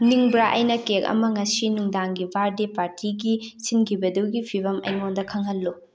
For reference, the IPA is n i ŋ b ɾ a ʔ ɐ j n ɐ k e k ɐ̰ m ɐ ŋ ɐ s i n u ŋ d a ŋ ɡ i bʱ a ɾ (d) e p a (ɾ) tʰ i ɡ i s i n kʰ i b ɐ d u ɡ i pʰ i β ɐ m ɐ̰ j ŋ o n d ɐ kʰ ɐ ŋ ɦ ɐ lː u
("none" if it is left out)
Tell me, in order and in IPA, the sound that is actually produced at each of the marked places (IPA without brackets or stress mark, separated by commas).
d, ɾ